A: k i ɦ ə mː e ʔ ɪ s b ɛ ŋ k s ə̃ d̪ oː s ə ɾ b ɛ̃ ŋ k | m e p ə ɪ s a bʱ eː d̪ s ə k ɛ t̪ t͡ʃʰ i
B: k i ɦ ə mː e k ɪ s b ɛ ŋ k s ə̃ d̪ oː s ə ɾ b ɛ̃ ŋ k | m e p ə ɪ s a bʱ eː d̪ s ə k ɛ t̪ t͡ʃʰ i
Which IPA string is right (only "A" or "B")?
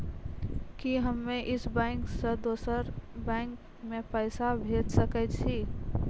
A